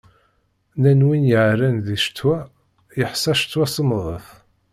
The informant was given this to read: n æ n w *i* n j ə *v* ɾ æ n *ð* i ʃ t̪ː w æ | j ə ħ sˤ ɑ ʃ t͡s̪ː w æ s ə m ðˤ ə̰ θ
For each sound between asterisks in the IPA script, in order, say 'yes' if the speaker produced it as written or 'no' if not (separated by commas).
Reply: yes, no, yes